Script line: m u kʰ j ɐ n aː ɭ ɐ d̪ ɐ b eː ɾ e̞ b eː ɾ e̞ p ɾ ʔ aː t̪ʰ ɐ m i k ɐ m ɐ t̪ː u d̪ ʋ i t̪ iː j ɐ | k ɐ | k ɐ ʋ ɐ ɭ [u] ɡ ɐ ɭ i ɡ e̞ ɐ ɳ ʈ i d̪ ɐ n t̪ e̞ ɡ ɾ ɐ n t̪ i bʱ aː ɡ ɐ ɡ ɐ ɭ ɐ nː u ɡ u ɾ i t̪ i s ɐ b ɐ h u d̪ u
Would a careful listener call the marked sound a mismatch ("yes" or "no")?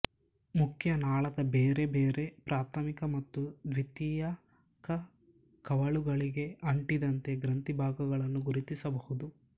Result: no